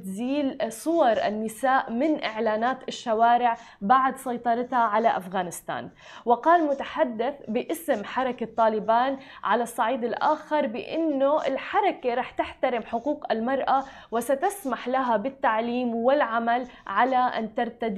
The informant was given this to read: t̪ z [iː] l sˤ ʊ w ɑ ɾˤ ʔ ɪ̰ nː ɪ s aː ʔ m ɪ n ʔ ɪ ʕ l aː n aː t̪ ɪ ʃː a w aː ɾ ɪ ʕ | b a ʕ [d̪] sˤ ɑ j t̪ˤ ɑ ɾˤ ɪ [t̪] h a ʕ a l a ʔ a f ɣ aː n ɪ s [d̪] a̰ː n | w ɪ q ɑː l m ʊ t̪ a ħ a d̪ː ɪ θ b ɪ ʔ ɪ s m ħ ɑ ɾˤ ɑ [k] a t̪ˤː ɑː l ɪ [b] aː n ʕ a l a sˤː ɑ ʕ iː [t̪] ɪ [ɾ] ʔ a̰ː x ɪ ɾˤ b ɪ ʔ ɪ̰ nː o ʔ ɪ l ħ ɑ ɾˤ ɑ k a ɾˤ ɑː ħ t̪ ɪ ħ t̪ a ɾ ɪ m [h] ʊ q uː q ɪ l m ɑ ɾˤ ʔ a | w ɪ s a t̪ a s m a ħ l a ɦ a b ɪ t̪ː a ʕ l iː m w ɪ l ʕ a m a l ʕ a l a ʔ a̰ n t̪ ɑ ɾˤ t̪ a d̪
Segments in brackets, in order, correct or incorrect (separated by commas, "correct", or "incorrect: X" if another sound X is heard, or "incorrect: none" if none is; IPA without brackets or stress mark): correct, correct, correct, incorrect: t̪, correct, correct, incorrect: d̪, incorrect: l, incorrect: ħ